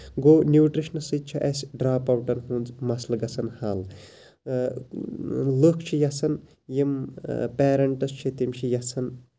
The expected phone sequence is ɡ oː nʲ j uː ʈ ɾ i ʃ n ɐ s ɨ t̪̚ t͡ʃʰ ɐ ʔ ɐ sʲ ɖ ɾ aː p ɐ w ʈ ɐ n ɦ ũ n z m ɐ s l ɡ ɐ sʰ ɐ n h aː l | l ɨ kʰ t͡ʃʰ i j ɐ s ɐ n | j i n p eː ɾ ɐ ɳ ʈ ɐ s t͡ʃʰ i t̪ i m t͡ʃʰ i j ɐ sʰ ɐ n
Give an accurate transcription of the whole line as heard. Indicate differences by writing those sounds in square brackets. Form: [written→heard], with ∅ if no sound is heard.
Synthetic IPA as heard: ɡ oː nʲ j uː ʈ ɾ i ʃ n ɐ s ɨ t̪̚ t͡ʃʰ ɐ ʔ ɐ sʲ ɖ ɾ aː p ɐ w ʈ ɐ n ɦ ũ n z m ɐ s l ɡ ɐ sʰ ɐ n h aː l | l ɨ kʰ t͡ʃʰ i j ɐ s ɐ n | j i [n→m] p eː ɾ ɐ ɳ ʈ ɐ s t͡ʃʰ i t̪ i m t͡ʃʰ i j ɐ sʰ ɐ n